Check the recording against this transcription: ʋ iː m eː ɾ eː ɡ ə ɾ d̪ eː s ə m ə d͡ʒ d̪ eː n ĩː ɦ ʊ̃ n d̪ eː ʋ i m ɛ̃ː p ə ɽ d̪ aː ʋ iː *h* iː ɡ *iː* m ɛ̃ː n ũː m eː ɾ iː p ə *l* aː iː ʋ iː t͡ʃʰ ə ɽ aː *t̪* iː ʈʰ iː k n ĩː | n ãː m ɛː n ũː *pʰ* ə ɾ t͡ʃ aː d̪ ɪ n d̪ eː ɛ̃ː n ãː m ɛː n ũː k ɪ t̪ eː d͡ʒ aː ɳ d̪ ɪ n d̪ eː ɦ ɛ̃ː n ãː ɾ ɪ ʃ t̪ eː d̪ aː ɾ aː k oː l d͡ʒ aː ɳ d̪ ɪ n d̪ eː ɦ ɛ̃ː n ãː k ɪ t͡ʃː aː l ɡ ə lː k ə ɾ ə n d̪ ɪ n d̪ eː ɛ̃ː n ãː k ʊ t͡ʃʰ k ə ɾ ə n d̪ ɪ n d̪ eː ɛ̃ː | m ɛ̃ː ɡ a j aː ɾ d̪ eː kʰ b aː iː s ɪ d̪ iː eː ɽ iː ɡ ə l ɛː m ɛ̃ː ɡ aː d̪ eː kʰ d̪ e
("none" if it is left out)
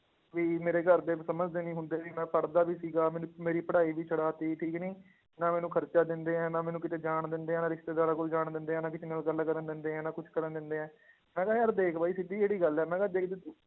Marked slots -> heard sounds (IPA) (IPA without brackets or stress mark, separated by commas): s, aː, ɽ, t̪, kʰ